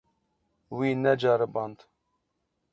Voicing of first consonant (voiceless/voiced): voiced